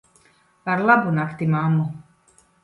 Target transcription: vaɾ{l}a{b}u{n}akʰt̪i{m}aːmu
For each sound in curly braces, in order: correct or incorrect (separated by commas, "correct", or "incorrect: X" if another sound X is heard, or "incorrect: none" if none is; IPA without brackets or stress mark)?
correct, correct, correct, correct